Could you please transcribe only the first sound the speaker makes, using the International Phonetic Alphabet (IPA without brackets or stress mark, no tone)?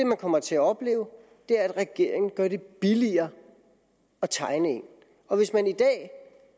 e̝